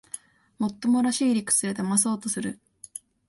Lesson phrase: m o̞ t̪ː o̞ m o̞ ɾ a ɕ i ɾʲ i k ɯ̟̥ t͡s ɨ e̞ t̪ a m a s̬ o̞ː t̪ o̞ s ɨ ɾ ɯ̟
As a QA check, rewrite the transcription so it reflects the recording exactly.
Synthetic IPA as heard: m o̞ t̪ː o̞ m o̞ ɾ a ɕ iː ɾʲ i k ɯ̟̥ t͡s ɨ e̞ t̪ a m a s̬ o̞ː t̪ o̞ s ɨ ɾ ɯ̟